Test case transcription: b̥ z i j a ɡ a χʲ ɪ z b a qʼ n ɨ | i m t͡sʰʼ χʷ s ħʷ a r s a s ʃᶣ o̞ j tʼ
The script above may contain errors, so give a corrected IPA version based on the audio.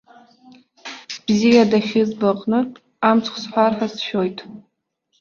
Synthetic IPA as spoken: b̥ z i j a d a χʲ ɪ z b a qʼ n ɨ | a m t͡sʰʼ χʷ s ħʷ a r ħ a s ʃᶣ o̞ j tʼ

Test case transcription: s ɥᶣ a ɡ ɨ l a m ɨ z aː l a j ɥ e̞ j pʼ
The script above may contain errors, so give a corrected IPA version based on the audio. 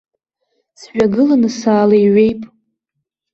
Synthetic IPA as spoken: s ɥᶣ a ɡ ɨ l a n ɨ s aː l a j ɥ e̞ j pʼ

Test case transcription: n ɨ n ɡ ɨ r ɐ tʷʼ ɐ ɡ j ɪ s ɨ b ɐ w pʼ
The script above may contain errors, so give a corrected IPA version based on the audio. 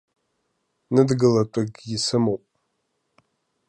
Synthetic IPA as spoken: n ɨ d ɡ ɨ l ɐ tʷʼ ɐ ɡ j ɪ s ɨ m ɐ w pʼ

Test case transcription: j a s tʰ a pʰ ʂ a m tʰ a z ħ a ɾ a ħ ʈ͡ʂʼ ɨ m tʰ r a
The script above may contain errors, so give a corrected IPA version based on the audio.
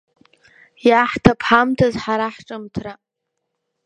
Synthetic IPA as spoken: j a ħ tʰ a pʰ ħ a m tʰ a z ħ a ɾ a ħ ʈ͡ʂʼ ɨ m tʰ r a

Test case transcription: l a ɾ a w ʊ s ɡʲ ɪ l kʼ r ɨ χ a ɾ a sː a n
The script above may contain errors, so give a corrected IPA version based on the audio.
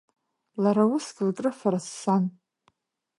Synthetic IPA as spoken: l a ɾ a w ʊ s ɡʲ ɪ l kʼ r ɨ f a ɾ a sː a n

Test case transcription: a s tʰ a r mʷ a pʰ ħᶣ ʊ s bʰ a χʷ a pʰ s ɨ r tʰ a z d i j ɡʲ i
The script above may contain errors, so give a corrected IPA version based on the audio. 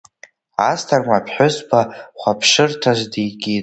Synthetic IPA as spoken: a s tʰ a r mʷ a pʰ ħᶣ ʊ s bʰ a χʷ a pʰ ʂ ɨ r tʰ a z d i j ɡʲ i

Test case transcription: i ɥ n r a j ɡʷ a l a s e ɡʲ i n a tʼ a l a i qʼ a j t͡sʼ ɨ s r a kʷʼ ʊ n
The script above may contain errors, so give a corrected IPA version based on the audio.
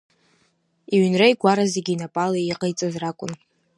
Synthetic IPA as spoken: i ɥ n r a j ɡʷ a ɾ a z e ɡʲ i n a pʼ a l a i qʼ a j t͡sʼ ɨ z r a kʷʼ ʊ n

